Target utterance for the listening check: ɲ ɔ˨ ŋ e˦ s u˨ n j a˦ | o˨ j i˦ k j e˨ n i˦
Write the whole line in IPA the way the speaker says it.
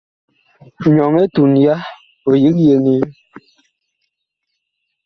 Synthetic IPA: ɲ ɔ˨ ŋ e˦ t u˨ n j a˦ | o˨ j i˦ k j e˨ n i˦